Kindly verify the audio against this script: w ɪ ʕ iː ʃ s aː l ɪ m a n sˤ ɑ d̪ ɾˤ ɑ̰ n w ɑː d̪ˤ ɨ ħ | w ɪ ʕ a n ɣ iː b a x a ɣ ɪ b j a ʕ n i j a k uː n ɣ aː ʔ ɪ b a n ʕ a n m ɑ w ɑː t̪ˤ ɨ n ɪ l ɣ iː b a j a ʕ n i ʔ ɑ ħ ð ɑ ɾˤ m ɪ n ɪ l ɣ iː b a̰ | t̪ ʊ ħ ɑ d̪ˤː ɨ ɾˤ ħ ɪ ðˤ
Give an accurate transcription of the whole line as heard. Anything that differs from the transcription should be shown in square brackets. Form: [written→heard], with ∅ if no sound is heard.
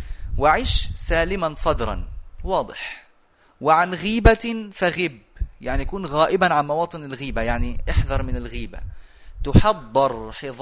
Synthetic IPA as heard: w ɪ ʕ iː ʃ s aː l ɪ m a n sˤ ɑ d̪ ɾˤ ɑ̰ n w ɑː d̪ˤ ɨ ħ | w ɪ ʕ a n ɣ iː b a [x→f] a ɣ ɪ b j a ʕ n i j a k uː n ɣ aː ʔ ɪ b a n ʕ a n m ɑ w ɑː t̪ˤ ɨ n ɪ l ɣ iː b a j a ʕ n i ʔ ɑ ħ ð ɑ ɾˤ m ɪ n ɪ l ɣ iː b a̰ | t̪ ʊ ħ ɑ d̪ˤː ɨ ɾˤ ħ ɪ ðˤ